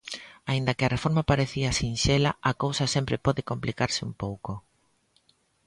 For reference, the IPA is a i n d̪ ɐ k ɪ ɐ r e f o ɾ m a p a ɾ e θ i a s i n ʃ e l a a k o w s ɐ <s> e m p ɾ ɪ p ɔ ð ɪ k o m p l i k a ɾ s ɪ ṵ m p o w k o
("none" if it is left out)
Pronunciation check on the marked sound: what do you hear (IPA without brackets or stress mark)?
s